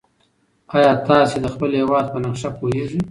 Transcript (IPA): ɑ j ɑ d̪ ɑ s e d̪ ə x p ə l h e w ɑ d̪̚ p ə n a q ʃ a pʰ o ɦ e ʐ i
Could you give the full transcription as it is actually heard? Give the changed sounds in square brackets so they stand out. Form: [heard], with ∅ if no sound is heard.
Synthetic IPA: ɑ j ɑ [t̪] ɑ s e d̪ ə x p ə l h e w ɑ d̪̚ p ə n a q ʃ a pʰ o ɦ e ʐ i